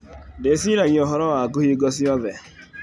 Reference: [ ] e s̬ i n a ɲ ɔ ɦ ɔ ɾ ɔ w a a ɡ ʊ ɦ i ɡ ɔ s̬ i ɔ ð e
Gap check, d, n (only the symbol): d